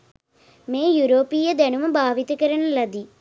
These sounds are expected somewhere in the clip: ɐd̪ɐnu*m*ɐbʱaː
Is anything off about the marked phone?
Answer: no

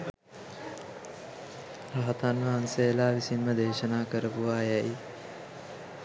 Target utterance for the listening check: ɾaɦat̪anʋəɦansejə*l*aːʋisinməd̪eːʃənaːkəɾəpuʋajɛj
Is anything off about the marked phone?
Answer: no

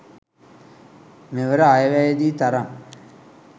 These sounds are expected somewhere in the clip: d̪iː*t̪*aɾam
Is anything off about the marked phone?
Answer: no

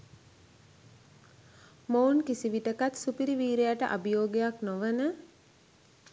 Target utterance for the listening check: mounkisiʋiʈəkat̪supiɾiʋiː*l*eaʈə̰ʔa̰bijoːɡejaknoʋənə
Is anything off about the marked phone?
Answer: yes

